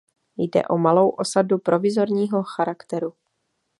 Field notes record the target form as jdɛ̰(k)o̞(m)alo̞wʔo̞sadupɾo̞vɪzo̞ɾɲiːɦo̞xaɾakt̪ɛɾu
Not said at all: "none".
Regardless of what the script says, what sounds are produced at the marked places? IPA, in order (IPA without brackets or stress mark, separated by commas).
ʔ, m